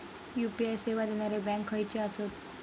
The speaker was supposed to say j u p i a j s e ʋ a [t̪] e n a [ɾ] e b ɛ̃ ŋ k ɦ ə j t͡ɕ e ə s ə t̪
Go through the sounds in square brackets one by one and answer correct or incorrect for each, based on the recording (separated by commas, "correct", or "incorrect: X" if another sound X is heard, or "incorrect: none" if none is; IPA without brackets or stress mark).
incorrect: d̪, correct